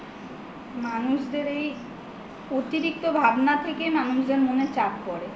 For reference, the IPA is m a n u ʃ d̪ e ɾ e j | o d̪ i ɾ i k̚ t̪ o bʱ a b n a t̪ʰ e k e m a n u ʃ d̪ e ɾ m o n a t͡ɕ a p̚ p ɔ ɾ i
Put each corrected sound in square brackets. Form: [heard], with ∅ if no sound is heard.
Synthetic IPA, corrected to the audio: m a n u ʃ d̪ e ɾ e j | o [t̪] i ɾ i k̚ t̪ o bʱ a b n a t̪ʰ e k e m a n u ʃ d̪ e ɾ m o n [e] t͡ɕ a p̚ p ɔ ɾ [e]